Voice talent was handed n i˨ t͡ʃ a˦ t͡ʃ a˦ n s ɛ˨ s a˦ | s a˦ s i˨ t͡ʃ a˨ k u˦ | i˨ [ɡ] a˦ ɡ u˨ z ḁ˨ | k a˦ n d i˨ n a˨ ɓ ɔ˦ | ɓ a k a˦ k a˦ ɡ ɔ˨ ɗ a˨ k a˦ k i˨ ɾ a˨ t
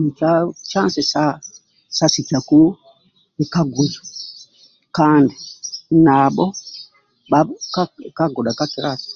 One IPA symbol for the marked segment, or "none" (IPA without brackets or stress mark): k